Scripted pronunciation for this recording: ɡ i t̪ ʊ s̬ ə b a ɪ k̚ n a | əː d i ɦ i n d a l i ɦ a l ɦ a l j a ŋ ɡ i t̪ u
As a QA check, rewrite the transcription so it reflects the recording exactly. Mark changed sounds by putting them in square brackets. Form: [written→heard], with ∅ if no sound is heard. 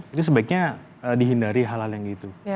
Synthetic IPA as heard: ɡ i t̪ [ʊ→u] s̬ ə b a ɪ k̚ [n→ɲ] a | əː d i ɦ i n d a [l→ɾ] i ɦ a l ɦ a l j a ŋ ɡ i t̪ u

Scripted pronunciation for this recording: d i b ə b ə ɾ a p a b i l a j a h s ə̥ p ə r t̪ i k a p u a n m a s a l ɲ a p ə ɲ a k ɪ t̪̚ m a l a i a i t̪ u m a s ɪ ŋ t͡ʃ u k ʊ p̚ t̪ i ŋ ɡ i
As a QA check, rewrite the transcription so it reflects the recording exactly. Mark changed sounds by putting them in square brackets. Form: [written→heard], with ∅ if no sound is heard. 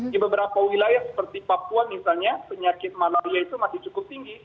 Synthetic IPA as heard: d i b ə b ə ɾ a p a [b→w] i l a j a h s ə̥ p ə r t̪ i [k→p] a p u a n m [a→i] s a l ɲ a p ə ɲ a k ɪ t̪̚ m a l a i a i t̪ u m a s ɪ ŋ t͡ʃ u k ʊ p̚ t̪ i ŋ ɡ i

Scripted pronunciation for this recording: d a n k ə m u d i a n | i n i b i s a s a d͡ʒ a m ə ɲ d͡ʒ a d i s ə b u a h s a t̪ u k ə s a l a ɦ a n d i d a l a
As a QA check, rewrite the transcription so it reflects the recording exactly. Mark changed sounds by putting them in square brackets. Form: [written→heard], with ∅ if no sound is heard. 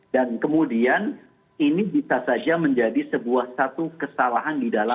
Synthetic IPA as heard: d a n k ə m u d i a n | i n i b i s a s a d͡ʒ a m ə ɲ d͡ʒ a d i s ə b u a h s a t̪ u k ə s a l a ɦ a n d i d a l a

